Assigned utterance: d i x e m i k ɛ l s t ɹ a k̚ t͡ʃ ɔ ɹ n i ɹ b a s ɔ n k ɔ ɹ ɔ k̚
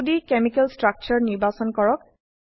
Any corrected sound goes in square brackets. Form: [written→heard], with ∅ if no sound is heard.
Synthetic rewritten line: d i [x→k] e m i k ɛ l s t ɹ a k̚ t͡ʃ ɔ ɹ n i ɹ b a s ɔ n k ɔ ɹ ɔ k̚